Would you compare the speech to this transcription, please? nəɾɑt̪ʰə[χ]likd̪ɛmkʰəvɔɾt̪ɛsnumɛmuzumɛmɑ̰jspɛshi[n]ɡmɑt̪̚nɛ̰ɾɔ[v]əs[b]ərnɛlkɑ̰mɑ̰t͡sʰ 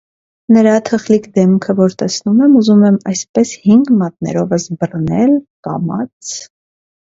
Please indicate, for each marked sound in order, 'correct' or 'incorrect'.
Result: correct, incorrect: ŋ, correct, correct

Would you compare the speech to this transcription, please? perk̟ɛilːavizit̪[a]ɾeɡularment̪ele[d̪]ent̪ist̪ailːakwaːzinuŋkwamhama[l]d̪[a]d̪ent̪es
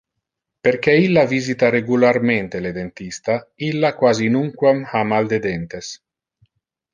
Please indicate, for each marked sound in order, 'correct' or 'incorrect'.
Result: correct, correct, correct, incorrect: e

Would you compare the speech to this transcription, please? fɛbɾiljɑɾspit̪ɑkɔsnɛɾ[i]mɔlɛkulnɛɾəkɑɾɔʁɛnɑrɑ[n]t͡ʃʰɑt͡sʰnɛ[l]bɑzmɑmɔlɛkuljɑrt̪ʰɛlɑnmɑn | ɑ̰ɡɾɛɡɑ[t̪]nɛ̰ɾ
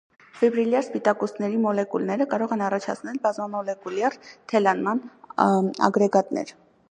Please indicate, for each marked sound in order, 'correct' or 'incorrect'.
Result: correct, incorrect: none, correct, correct

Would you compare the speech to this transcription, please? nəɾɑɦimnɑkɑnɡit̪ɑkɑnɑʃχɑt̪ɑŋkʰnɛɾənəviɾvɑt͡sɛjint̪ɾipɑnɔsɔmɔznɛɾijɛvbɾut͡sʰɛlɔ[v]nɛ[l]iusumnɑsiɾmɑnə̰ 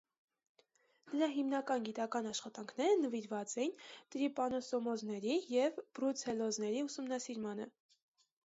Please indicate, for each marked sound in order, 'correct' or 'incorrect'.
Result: incorrect: z, incorrect: ɾ

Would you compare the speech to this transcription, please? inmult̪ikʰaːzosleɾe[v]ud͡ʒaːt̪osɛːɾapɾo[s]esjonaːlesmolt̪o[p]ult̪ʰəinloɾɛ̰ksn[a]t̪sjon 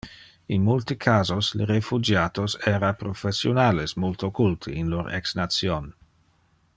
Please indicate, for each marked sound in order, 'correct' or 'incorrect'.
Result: incorrect: f, incorrect: f, incorrect: k, correct

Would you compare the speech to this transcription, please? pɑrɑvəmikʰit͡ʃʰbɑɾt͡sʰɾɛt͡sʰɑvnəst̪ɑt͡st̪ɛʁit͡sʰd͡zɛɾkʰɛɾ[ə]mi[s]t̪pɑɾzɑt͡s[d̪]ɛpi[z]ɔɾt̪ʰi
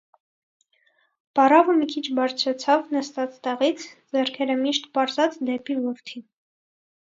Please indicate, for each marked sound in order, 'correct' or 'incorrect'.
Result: correct, incorrect: ʃ, correct, incorrect: v

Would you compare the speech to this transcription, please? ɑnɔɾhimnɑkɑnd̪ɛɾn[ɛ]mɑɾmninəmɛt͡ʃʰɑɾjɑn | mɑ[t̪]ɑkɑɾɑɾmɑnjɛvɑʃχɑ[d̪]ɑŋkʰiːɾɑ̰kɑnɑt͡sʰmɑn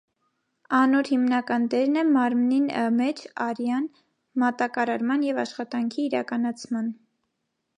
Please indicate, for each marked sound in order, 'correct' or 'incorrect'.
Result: correct, correct, incorrect: t̪

